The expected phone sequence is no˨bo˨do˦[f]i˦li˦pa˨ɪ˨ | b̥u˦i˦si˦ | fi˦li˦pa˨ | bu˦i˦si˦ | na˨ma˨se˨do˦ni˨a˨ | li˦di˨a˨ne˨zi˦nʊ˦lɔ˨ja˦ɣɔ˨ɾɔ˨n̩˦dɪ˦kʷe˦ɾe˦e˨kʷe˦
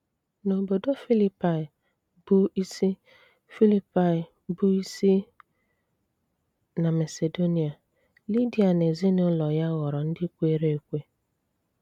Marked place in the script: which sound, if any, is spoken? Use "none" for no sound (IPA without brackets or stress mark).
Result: f